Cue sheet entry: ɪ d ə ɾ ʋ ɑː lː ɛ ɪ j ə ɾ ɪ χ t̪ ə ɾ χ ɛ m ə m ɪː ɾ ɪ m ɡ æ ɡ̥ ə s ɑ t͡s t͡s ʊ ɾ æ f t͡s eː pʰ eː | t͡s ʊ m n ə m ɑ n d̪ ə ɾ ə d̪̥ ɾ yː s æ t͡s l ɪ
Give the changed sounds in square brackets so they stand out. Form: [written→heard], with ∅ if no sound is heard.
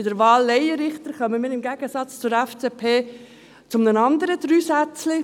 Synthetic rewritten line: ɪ d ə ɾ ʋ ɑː lː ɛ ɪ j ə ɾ ɪ χ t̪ ə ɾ χ [ɛ→œ] m ə m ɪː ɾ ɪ m ɡ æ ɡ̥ ə s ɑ t͡s t͡s ʊ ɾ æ f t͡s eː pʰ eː | t͡s ʊ m n ə [m→n] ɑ n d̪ ə ɾ ə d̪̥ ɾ yː s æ t͡s l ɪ